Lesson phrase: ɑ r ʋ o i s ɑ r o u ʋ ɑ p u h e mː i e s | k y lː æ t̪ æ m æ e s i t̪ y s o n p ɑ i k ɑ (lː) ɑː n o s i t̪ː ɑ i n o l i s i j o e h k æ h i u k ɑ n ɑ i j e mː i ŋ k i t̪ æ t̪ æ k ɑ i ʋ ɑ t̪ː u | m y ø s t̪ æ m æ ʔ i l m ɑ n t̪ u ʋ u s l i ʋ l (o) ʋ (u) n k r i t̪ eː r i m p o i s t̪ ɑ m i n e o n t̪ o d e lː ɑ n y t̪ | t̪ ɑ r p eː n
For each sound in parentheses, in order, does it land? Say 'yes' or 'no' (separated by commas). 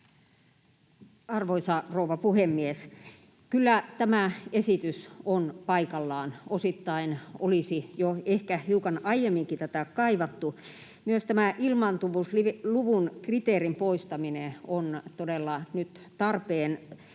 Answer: yes, no, yes